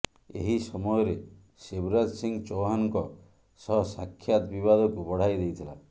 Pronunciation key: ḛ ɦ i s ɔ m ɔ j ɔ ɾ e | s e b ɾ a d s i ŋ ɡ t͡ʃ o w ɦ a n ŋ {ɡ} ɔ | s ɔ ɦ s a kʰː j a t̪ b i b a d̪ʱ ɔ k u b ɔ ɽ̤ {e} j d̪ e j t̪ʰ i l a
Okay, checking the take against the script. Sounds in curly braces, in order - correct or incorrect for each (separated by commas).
incorrect, incorrect